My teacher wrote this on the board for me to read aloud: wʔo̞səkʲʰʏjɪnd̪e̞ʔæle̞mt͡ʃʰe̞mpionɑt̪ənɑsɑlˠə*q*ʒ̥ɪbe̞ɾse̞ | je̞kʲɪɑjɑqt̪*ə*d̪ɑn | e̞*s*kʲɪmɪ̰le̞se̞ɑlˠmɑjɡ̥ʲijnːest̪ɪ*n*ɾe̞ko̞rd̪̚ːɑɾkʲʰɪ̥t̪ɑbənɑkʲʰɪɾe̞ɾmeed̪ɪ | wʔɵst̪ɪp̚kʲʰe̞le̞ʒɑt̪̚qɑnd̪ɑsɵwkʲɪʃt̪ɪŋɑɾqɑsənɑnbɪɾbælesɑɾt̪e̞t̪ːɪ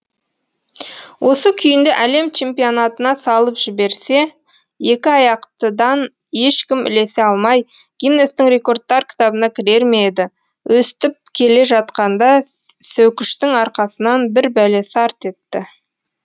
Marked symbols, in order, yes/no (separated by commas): no, yes, no, no